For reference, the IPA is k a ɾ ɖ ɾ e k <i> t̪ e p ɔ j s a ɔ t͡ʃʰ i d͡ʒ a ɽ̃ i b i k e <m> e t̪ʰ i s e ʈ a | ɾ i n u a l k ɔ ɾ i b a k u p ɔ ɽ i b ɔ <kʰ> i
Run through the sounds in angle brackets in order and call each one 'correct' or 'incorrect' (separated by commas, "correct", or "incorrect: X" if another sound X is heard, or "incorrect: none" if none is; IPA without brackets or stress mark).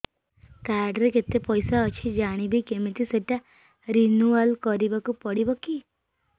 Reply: incorrect: e, correct, incorrect: k